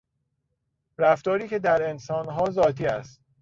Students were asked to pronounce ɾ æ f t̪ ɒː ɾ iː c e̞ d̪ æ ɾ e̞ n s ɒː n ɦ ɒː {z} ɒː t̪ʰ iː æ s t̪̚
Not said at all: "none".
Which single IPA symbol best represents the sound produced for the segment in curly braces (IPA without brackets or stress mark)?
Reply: z